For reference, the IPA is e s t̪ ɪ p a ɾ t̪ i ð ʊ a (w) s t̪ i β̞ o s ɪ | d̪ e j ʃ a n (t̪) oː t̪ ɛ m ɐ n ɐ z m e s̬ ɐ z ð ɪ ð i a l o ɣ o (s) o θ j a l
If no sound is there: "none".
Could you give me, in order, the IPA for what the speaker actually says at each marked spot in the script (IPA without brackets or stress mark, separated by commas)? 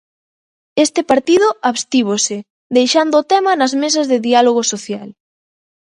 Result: β, d̪, s